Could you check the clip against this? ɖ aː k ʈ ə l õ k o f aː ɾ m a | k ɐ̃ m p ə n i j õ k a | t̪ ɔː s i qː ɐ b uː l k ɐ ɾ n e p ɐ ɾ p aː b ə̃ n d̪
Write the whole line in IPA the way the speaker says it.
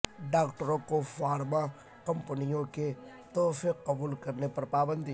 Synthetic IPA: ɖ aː k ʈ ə ɾ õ k o f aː ɾ m a | k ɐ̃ m p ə n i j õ k e | t̪ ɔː f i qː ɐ b uː l k ɐ ɾ n e p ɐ ɾ p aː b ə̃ n d̪